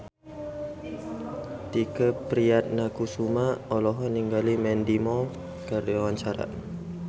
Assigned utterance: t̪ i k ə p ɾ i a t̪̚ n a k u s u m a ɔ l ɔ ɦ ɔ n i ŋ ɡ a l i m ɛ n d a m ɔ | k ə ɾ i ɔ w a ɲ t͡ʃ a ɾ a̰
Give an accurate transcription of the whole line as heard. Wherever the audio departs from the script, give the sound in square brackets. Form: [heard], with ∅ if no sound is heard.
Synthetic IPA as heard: t̪ i k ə p ɾ i a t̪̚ n a k u s u m a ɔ l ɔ ɦ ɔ n i ŋ ɡ a l i m ɛ n d [i] m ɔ | k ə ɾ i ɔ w a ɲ t͡ʃ a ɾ a̰